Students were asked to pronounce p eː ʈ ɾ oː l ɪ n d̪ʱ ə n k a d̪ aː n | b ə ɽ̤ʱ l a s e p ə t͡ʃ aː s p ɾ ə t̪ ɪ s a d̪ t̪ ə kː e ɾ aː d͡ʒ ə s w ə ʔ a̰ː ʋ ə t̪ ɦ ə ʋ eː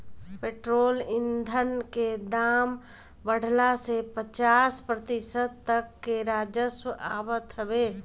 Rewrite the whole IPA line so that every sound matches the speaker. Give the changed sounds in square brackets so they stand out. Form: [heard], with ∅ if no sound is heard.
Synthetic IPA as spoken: p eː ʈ ɾ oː l ɪ n d̪ʱ ə n k [e] d̪ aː [m] | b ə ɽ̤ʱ l a s e p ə t͡ʃ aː s p ɾ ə t̪ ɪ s [ə] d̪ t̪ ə kː e ɾ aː d͡ʒ ə s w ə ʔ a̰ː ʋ ə t̪ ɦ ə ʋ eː